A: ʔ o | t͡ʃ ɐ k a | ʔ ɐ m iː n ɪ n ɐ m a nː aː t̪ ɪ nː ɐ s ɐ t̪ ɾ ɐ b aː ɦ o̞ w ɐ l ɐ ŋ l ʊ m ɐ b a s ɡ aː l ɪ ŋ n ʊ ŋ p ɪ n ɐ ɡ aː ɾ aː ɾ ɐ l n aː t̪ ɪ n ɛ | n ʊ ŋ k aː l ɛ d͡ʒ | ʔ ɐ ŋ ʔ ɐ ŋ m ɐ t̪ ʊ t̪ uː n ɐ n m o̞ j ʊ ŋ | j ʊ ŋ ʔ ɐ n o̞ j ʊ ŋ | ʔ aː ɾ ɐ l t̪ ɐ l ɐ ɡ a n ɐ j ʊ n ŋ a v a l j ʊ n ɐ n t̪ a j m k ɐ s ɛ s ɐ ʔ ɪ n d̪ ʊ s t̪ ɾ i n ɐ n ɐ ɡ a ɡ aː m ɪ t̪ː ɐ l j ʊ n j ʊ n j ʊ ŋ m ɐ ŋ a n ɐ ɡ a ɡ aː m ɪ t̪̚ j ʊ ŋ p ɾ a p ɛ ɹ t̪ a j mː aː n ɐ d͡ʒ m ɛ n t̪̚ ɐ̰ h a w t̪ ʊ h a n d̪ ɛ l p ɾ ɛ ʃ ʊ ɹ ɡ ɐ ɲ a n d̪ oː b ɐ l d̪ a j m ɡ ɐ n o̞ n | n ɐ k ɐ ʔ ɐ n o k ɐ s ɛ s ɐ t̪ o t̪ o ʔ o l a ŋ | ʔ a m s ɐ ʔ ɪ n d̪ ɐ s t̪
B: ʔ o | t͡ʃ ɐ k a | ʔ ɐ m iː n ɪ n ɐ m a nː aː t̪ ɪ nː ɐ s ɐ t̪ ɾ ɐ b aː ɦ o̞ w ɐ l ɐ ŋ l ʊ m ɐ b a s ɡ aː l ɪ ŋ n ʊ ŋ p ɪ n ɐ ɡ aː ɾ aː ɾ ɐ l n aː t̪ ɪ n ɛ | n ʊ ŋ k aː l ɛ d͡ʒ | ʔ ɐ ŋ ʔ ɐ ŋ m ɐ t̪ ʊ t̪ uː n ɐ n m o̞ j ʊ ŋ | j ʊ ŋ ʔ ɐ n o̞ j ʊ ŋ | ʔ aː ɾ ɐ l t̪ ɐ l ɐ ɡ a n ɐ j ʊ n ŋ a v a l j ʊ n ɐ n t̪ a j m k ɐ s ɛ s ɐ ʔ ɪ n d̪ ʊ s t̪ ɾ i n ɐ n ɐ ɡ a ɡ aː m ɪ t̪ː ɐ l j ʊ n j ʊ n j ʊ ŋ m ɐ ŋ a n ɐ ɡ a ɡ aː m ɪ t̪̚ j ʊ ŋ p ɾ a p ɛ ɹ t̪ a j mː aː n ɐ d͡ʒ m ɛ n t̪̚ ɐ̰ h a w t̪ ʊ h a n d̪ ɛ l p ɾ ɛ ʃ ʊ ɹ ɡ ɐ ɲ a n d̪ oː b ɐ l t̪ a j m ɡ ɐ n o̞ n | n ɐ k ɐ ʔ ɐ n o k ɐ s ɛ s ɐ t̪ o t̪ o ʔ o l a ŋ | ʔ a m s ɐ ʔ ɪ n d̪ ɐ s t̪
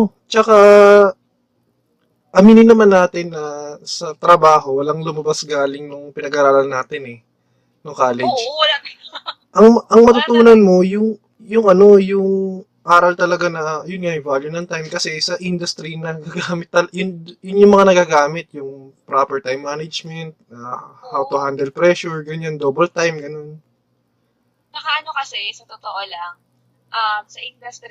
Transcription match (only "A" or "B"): B